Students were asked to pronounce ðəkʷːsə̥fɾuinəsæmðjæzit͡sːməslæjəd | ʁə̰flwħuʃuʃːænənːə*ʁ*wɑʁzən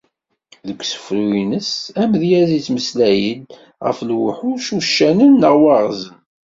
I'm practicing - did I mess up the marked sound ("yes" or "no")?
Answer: no